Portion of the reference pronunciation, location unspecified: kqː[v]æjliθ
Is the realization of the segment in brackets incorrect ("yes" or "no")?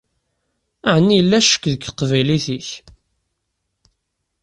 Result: no